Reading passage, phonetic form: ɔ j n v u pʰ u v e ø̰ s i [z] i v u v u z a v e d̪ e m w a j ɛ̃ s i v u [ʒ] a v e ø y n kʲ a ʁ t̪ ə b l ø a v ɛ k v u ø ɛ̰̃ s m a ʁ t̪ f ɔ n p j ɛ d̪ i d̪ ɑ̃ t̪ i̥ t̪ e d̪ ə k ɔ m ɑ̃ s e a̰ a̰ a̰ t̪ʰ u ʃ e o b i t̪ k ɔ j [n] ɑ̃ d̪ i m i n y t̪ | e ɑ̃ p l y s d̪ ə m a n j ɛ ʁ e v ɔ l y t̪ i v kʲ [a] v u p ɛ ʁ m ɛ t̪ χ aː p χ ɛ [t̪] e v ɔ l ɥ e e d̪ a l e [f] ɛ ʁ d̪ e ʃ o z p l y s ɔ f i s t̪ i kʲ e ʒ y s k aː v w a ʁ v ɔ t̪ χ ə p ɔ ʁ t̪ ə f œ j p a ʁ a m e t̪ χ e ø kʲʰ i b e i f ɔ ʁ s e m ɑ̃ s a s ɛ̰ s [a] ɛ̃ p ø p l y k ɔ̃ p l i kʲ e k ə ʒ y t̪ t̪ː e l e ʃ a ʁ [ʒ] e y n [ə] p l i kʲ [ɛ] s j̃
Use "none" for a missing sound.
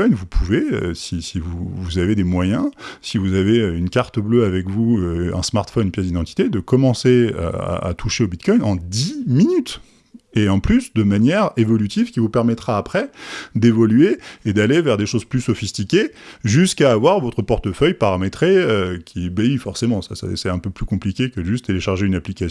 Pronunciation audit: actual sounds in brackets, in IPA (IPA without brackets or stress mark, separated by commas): s, z, n, i, d̪, v, ɛ, ʒ, a, a